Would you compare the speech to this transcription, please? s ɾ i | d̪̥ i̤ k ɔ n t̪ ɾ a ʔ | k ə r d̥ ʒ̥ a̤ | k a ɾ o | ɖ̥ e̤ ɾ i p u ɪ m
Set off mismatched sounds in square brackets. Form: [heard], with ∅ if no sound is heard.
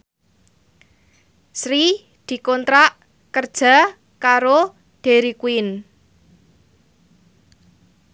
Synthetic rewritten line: s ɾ i | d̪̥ i̤ k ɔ n t̪ ɾ a ʔ | k ə r d̥ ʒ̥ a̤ | k a ɾ o | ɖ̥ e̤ ɾ i [k] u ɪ [n]